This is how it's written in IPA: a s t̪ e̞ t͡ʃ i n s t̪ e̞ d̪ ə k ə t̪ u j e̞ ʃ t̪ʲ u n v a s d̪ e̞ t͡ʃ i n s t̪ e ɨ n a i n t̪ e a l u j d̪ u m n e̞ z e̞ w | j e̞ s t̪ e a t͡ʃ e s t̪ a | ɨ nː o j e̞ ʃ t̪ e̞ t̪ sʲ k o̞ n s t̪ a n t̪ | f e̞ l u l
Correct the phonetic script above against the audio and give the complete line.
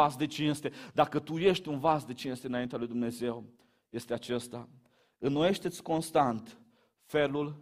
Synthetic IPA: a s d̪ e̞ t͡ʃ i n s t̪ e̞ d̪ a k ə t̪ u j e̞ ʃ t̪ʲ u n v a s d̪ e̞ t͡ʃ i n s t̪ e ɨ n a i n t̪ e a l u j d̪ u m n e̞ z e̞ w | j e̞ s t̪ e a t͡ʃ e s t̪ a | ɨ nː o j e̞ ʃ t̪ e̞ t̪ sʲ k o̞ n s t̪ a n t̪ | f e̞ l u l